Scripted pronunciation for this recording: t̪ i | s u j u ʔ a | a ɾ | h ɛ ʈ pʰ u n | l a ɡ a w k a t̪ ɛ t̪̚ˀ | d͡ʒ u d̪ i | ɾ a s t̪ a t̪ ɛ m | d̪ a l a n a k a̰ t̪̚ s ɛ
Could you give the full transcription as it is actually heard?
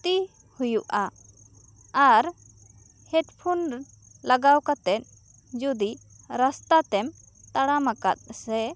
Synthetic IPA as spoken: t̪ i | h u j u ʔ a | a ɾ | h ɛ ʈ pʰ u n | l a ɡ a w k a t̪ ɛ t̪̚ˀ | d͡ʒ u d̪ i | ɾ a s t̪ a t̪ ɛ m | t̪ a ɽ a m a k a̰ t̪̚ s ɛ